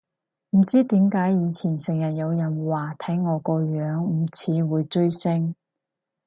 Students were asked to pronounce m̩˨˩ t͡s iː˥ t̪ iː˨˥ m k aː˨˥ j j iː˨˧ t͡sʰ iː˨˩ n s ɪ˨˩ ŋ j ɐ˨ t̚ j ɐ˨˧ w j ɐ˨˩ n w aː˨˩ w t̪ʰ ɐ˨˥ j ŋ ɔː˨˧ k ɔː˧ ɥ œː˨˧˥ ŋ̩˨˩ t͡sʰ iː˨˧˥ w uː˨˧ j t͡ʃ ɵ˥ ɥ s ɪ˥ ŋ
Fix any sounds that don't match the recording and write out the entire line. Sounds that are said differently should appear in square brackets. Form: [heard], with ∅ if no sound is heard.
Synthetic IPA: m̩˨˩ t͡s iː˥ t̪ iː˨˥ m k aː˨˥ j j iː˨˧ t͡sʰ iː˨˩ n s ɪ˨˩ ŋ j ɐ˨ t̚ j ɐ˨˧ w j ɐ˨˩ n w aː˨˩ [∅] t̪ʰ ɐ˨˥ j ŋ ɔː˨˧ k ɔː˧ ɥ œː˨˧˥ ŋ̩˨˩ t͡sʰ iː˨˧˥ w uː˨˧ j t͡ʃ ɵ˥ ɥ s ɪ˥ ŋ